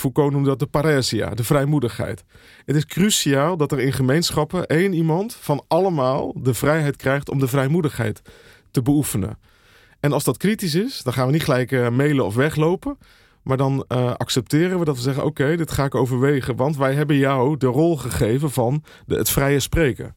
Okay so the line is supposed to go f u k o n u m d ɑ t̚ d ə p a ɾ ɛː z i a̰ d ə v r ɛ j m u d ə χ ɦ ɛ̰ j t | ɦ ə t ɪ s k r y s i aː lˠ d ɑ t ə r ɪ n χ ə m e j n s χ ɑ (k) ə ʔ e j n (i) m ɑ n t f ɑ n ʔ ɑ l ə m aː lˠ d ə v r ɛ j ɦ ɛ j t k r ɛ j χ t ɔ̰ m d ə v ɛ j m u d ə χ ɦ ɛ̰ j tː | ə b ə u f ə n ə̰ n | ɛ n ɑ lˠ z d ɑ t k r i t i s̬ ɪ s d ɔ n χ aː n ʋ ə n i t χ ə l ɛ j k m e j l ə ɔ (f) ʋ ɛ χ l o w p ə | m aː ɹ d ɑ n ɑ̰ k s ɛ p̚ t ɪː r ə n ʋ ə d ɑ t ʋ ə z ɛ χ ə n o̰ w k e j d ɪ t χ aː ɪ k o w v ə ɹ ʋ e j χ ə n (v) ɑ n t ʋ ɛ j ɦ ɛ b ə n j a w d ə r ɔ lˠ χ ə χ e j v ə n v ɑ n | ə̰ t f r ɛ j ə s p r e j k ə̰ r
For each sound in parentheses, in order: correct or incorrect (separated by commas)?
incorrect, correct, correct, incorrect